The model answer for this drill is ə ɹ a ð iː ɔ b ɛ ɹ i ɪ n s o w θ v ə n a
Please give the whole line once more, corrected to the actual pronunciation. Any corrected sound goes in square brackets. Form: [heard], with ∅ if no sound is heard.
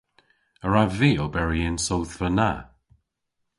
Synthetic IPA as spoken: ə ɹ a [v] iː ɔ b ɛ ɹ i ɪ n s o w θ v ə n a